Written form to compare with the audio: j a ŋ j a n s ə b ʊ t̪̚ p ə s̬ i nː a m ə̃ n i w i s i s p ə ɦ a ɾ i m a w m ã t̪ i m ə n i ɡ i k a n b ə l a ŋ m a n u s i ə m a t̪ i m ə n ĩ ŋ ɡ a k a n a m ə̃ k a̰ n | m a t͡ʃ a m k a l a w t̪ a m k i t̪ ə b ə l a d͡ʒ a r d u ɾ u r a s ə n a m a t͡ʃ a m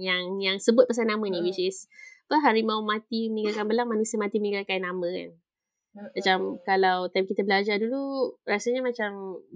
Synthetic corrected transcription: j a ŋ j a ŋ s ə b ʊ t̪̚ p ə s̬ a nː a m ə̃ n i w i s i s p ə ɦ a ɾ i m a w m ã t̪ i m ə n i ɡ a k a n b ə l a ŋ m a n u s i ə m a t̪ i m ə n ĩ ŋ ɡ a k a n a m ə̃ k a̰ n | m a t͡ʃ a m k a l a w t̪ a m k i t̪ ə b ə l a d͡ʒ a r d u l u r a s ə ɲ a m a t͡ʃ a m